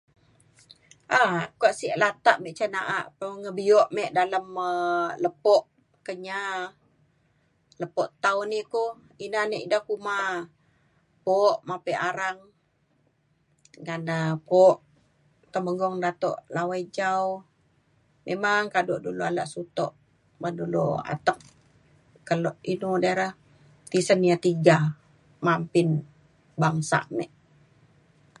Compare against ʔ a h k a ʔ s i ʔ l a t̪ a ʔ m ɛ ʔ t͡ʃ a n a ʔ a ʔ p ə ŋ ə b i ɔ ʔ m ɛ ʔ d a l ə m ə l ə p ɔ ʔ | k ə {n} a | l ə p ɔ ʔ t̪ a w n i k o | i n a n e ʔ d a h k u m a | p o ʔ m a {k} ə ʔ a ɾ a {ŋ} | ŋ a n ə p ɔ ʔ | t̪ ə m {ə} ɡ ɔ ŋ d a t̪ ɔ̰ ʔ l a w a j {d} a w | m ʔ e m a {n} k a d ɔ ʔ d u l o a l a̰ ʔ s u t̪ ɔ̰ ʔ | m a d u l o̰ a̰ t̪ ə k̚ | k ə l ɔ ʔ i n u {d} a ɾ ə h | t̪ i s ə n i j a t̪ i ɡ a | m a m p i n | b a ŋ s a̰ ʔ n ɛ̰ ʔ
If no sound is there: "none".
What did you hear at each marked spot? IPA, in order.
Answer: ɲ, p, ŋ, ə, d͡ʒ, ŋ, d

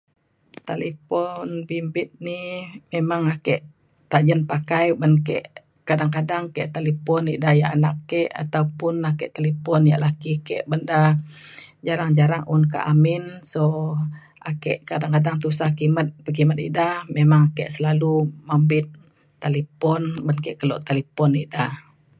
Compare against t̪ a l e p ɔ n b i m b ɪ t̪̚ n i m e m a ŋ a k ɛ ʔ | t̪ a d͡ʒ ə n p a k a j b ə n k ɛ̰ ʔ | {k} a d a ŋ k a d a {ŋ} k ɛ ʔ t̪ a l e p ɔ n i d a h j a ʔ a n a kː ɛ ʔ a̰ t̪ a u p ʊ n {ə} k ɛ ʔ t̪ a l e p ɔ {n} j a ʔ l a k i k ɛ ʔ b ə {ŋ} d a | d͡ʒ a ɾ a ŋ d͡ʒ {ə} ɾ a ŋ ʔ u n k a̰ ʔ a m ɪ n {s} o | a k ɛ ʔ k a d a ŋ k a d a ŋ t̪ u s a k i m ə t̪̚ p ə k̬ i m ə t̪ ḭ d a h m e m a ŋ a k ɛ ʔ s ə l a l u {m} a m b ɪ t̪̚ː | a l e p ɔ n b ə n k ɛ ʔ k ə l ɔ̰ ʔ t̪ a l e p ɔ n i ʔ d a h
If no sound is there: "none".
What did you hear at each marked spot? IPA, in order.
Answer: k, ŋ, a, n, n, a, s, m

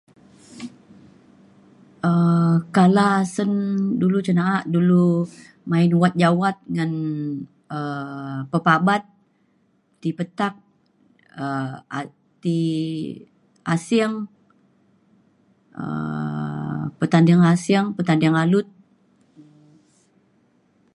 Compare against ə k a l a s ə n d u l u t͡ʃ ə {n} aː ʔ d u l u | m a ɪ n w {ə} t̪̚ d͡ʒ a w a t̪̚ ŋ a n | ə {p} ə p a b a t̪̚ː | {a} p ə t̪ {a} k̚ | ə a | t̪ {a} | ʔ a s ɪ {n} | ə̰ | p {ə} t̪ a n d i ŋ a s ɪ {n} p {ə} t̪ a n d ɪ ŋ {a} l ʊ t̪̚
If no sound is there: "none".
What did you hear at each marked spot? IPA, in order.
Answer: n, a, p, i, a, i, ŋ, ə, ŋ, ə, a

